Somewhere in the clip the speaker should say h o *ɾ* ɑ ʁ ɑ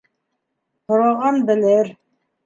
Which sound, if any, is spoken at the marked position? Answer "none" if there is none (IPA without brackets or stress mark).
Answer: ɾ